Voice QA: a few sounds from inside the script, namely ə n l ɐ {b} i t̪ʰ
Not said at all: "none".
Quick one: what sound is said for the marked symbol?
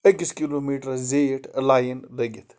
ɡ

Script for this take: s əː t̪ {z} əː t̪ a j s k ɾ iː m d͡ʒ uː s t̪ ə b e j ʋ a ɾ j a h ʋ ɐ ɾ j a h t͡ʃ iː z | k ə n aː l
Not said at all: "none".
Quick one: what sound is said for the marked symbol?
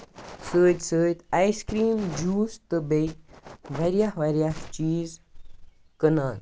s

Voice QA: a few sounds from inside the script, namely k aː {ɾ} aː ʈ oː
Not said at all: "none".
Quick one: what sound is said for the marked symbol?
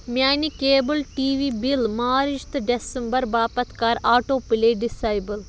ɾ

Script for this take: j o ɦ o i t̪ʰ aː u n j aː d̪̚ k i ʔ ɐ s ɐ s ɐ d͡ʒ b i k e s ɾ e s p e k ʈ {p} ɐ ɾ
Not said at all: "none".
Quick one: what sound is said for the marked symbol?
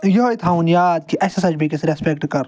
k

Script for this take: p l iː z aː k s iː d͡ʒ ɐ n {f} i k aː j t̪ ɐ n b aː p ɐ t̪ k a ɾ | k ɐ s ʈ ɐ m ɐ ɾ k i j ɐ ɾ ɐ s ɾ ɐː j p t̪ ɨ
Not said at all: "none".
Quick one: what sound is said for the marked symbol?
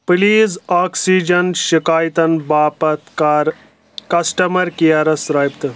ʃ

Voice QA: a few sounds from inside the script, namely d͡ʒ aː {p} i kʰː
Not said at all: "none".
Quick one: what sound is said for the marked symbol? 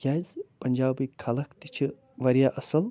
b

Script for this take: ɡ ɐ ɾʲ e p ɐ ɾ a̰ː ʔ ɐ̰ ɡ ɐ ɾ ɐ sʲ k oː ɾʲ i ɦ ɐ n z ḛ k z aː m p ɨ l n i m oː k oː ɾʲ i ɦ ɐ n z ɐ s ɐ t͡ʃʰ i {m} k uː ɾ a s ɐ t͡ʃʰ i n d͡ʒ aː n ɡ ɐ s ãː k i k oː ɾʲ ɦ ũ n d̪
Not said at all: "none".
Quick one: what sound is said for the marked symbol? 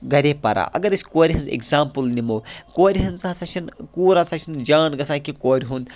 n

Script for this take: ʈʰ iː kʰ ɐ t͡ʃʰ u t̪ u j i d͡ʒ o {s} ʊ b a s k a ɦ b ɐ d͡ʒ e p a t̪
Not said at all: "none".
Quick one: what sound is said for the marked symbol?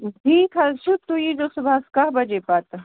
s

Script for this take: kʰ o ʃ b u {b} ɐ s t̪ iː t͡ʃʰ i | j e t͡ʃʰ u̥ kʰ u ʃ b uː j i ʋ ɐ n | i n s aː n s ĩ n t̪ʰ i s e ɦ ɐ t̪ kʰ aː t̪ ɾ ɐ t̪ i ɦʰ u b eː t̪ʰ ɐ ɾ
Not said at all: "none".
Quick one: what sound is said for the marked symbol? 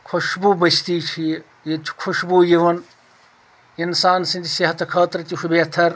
b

